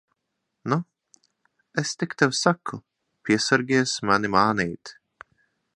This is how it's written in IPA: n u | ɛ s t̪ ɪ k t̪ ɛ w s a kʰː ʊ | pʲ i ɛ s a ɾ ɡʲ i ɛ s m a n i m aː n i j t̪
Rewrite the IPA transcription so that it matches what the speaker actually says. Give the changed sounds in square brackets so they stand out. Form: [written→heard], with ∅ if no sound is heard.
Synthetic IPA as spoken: n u | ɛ s t̪ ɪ k t̪ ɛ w s a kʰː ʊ | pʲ i ɛ s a ɾ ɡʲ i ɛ s m a n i m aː n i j t̪

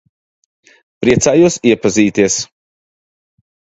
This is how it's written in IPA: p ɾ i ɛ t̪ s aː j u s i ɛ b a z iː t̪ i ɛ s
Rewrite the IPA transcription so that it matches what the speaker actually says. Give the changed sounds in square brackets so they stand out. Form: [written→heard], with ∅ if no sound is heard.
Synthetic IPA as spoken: p ɾ i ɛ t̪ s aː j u s i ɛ [b→p] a z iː t̪ i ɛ s

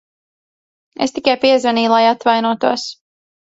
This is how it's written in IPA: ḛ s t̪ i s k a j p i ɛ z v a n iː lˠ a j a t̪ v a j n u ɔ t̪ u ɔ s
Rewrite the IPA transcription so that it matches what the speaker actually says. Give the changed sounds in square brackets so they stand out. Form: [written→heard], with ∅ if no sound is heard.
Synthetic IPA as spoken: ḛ s t̪ i [s→∅] k a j p i ɛ z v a n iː lˠ a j a t̪ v a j n u ɔ t̪ u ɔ s

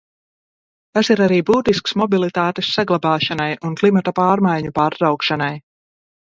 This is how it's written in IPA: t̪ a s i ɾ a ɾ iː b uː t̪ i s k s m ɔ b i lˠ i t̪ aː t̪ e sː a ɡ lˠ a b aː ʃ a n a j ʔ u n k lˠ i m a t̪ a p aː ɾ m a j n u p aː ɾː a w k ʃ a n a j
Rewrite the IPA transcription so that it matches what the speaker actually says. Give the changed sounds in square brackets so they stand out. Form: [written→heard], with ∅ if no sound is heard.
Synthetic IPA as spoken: t̪ a s i ɾ a ɾ iː b uː t̪ i s k s m ɔ b i lˠ i t̪ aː t̪ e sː a ɡ lˠ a b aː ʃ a n a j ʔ u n k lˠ i m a t̪ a p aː ɾ m a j [n→ɲ] u p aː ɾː a w k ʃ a n a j

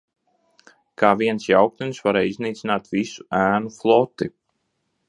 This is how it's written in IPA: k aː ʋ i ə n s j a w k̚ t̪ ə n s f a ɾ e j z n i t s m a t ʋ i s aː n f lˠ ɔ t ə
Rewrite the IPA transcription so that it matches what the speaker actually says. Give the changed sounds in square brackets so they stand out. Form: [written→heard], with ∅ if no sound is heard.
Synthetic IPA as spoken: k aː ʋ i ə n s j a w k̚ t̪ ə n s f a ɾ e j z n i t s [m→n] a t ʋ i s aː n f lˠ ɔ t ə

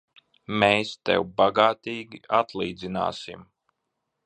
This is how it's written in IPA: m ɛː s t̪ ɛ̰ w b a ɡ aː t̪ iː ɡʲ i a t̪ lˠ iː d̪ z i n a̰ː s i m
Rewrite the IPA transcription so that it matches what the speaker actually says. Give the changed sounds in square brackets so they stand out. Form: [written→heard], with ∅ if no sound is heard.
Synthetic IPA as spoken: m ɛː s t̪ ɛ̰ w b a ɡ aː t̪ iː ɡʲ i a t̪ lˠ iː d̪ z i n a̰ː s i m

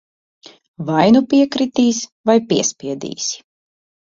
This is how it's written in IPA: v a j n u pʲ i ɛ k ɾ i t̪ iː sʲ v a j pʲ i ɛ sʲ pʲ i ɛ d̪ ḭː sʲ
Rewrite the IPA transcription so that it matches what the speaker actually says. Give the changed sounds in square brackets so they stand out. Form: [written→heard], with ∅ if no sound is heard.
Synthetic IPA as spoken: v a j n u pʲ i ɛ k ɾ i t̪ iː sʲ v a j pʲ i ɛ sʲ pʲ i ɛ d̪ ḭː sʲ

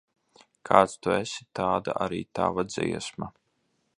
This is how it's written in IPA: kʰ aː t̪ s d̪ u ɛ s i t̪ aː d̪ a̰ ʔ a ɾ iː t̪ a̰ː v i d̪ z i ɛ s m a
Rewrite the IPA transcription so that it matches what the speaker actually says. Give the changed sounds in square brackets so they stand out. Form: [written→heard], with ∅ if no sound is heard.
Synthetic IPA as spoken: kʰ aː t̪ s [d̪→t̪] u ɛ s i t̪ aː d̪ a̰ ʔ a ɾ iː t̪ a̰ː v [i→a] d̪ z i ɛ s m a

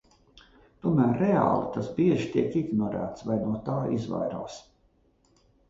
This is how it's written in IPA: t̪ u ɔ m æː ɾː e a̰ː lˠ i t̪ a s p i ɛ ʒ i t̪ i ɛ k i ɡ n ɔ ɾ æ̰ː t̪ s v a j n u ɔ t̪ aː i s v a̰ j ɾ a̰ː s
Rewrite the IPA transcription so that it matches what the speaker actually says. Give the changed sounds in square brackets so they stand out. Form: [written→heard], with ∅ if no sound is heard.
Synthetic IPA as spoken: t̪ u ɔ m æː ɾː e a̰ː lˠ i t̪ a s [p→b] i ɛ ʒ i t̪ i ɛ k i ɡ n ɔ ɾ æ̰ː t̪ s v a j n u ɔ t̪ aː i [s→z] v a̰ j ɾ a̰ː s

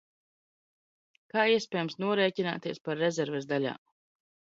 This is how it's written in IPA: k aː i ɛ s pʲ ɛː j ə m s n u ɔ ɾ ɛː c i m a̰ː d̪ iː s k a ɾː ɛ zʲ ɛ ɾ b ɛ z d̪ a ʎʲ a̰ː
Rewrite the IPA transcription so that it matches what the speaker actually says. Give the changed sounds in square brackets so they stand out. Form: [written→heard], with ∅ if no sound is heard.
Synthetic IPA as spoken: k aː i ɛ s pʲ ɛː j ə m s n u ɔ ɾ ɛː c i [m→n] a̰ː [d̪→t̪] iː s [k→p] a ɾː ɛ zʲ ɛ ɾ [b→v] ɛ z d̪ a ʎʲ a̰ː

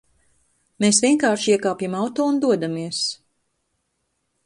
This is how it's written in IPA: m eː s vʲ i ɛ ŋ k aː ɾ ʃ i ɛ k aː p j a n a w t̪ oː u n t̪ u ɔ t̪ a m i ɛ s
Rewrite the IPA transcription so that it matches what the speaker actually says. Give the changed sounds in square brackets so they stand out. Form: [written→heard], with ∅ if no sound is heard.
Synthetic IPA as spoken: m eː s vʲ i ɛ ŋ k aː ɾ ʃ i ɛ k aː p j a [n→m] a w t̪ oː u n [t̪→d̪] u ɔ [t̪→d̪] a m i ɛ s

